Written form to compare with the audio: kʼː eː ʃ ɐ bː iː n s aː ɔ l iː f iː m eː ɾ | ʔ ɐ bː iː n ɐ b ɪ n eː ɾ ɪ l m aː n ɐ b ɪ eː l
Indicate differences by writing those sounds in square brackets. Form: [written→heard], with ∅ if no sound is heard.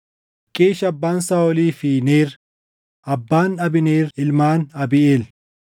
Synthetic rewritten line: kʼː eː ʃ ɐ bː [iː→aː] n s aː ɔ l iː f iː [m→n] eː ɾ | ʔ ɐ bː [iː→aː] n ɐ b ɪ n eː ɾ ɪ l m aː n ɐ b ɪ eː l